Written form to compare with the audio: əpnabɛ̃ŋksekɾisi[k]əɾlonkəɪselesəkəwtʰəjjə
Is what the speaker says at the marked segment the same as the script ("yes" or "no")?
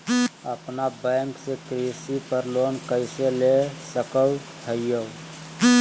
no